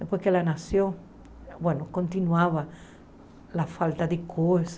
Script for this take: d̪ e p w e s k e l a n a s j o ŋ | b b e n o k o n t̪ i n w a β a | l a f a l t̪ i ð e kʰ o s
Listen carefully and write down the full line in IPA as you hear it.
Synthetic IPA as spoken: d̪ e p w e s k e l a n a s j o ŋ | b w e n o k o n t̪ i n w a β a | l a f a l t̪ a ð e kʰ o s